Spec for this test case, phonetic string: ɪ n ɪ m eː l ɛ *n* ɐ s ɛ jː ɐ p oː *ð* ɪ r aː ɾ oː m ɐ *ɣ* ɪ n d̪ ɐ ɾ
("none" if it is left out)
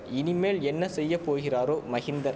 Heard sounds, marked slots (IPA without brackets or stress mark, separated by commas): nː, ɣ, ɣ